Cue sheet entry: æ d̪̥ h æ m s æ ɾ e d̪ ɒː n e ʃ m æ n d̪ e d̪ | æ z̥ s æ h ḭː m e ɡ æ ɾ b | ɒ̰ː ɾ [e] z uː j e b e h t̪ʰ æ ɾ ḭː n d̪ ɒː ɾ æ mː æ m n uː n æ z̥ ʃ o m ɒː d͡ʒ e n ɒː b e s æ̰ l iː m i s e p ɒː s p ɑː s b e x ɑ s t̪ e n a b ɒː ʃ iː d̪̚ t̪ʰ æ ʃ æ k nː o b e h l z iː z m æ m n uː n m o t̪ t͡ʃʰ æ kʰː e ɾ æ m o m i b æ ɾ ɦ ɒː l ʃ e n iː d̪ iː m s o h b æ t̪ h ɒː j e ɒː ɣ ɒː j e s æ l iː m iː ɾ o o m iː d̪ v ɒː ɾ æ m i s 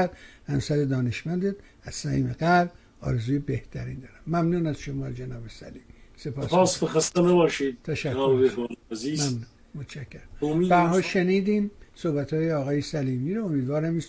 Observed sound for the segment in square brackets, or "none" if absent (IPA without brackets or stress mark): e